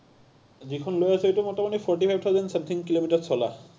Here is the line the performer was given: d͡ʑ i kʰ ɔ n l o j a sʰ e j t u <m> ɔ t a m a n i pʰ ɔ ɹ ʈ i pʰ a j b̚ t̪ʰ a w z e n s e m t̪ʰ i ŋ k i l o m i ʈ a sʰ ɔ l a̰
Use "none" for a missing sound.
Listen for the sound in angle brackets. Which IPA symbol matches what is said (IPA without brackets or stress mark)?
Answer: m